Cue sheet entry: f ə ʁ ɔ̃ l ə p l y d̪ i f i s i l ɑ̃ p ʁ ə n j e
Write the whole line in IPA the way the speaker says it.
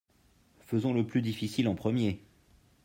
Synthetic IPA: f ə z ɔ̃ l ə p l y d̪ i f i s i l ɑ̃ p χ ə m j e